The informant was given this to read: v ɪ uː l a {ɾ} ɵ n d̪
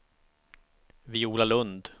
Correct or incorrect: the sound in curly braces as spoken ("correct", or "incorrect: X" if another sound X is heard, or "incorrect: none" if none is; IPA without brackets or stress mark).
incorrect: l